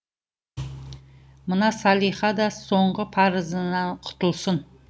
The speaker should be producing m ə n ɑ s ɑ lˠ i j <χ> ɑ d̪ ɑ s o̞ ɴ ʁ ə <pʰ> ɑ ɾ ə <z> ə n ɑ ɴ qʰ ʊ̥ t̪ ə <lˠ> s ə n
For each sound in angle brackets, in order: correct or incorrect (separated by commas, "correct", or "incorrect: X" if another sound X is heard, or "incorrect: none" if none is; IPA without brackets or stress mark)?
correct, correct, correct, correct